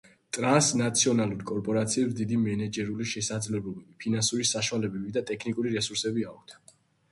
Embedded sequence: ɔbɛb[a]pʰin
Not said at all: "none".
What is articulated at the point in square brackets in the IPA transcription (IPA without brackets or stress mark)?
i